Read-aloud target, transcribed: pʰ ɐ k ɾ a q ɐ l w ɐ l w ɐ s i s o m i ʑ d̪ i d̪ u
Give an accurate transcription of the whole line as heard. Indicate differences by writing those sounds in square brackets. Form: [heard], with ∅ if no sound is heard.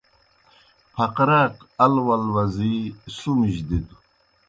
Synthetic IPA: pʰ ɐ [q] ɾ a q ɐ l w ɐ l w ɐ [z] i s [u] m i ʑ d̪ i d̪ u